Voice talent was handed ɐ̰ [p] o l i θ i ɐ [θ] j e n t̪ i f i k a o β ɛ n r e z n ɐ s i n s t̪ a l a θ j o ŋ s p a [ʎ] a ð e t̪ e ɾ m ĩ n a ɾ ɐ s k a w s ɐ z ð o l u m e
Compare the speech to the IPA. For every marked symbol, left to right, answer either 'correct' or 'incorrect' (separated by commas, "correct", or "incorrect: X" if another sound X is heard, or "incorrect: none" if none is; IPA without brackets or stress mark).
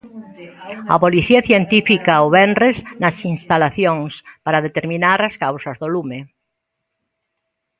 correct, correct, incorrect: ɾ